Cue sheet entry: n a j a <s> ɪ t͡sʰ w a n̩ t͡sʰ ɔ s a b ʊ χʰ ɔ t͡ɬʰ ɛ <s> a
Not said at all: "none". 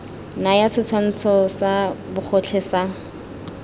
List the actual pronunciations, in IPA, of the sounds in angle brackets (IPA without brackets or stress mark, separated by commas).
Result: s, s